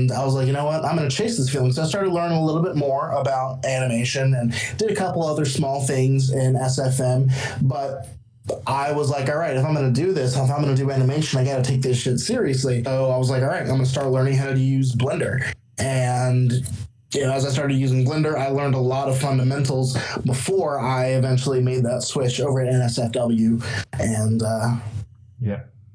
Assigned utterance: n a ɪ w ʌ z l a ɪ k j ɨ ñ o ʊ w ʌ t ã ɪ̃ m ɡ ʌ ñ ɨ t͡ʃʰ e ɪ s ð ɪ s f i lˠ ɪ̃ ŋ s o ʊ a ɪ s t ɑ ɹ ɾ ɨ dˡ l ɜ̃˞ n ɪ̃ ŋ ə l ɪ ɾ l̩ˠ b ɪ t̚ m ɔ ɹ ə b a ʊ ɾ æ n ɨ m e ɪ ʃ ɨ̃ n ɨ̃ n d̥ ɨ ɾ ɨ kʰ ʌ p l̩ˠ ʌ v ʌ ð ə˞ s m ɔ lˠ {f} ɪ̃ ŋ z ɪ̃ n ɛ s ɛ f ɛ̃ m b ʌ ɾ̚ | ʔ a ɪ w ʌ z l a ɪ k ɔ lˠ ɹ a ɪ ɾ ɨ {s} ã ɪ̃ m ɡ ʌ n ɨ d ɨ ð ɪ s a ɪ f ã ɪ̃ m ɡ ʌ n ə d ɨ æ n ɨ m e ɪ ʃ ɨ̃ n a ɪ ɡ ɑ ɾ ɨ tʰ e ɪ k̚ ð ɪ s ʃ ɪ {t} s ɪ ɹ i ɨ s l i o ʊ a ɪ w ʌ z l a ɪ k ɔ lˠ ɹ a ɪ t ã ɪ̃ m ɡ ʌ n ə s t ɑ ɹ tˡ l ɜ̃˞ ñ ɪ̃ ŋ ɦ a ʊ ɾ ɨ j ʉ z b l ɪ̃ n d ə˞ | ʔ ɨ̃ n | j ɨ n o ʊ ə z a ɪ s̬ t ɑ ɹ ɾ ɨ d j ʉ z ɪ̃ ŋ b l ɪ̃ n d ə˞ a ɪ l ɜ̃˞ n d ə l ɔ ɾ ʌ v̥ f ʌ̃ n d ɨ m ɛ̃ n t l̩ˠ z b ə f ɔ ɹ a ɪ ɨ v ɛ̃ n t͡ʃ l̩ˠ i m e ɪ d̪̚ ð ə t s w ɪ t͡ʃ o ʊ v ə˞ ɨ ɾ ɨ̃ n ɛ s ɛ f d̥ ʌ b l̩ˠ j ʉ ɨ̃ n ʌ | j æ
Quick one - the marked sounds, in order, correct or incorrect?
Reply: incorrect, incorrect, correct

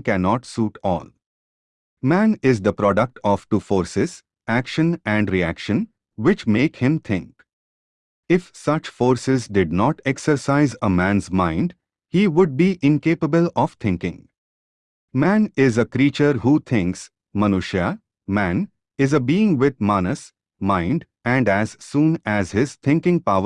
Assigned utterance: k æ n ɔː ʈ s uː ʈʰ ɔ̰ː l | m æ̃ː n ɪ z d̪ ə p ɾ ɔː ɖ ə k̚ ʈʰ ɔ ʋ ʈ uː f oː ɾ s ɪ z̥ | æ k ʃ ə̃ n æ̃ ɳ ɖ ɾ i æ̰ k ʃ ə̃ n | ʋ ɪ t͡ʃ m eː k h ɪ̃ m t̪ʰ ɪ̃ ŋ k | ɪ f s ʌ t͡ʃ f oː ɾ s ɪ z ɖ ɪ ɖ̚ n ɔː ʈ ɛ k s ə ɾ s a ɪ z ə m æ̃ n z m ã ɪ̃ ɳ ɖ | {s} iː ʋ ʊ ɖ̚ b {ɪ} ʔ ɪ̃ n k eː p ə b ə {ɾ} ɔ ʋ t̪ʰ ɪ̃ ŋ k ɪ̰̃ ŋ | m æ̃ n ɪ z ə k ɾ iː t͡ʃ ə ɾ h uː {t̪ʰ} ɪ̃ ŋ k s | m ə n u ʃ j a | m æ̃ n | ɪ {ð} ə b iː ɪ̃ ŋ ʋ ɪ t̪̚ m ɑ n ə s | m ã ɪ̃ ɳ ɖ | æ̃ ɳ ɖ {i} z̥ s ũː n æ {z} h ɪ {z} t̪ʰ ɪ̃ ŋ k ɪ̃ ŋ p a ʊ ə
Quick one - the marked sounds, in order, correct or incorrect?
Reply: incorrect, incorrect, incorrect, correct, incorrect, incorrect, correct, correct

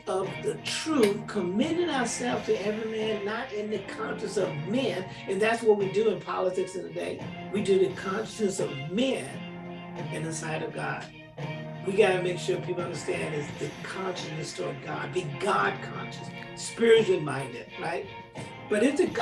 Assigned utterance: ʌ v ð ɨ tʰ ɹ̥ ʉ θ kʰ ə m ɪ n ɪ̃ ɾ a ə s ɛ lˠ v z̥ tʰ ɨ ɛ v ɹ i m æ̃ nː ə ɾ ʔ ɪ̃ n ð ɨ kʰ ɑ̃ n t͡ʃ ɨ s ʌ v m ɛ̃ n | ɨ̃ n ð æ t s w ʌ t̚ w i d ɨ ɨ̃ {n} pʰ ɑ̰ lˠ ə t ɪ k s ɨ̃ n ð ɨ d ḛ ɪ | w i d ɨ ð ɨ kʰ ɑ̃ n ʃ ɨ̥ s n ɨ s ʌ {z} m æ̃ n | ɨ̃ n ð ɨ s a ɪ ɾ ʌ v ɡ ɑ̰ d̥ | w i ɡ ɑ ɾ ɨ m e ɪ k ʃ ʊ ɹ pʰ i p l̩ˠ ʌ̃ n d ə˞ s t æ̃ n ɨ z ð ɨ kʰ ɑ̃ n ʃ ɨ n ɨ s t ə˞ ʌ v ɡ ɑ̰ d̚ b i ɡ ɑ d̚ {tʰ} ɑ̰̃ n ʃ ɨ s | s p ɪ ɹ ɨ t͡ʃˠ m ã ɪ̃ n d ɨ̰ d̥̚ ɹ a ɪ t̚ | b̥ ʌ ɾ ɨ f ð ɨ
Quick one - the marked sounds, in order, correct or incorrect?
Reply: correct, incorrect, incorrect

